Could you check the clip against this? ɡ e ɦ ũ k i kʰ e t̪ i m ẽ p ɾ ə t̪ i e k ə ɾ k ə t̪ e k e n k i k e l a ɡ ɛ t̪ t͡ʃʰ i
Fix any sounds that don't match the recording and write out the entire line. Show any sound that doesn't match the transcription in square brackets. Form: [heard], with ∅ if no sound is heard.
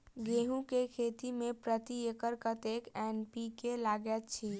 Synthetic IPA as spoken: ɡ e ɦ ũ k [e] kʰ e t̪ i m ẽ p ɾ ə t̪ i e k ə ɾ k ə t̪ e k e n [p] i k e l a ɡ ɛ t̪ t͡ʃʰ i